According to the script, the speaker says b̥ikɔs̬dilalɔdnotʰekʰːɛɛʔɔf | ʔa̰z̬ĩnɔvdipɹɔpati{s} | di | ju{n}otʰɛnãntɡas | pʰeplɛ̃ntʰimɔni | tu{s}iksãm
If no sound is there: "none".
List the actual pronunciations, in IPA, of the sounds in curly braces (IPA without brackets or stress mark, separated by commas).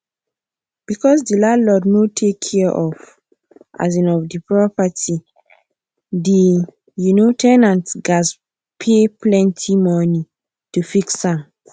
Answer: none, n, f